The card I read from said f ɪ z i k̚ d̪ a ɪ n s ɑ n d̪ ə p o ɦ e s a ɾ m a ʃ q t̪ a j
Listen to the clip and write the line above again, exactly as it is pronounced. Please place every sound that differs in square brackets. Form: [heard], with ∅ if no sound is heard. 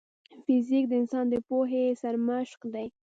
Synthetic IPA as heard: f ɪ z i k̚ d̪ [ə] ɪ n s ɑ n d̪ ə p o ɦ e s a ɾ m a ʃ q [d̪] a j